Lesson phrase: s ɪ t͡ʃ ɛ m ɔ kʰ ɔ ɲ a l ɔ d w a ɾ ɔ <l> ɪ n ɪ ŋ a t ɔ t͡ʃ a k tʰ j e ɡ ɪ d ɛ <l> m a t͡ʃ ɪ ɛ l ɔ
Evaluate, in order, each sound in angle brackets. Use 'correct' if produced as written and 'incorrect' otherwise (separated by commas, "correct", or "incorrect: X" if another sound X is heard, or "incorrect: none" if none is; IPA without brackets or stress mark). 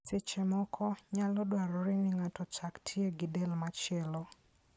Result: incorrect: ɾ, correct